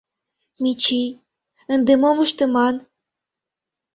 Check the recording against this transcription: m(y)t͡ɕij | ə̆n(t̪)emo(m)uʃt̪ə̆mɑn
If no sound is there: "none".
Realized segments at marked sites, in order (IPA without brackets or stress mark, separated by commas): i, d̪, m